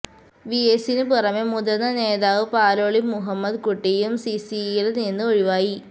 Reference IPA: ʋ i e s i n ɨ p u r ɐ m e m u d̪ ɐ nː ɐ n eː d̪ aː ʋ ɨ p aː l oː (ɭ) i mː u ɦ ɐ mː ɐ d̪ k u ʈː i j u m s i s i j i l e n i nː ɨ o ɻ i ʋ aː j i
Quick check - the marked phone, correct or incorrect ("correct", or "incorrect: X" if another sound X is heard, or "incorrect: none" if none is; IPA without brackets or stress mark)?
correct